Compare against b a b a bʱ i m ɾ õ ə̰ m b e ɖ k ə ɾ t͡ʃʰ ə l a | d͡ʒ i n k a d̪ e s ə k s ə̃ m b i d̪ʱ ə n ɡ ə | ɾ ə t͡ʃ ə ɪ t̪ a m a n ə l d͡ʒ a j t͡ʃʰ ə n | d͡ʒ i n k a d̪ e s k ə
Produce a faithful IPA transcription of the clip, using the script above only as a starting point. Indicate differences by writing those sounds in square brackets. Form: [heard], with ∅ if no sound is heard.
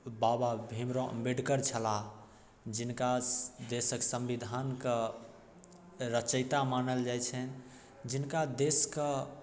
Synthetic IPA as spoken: b a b a bʱ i m ɾ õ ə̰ m b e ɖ k ə ɾ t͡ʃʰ ə l a | d͡ʒ i n k a d̪ e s ə k s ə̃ m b i d̪ʱ [a] n [k] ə | ɾ ə t͡ʃ ə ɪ t̪ a m a n ə l d͡ʒ a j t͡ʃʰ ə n | d͡ʒ i n k a d̪ e s k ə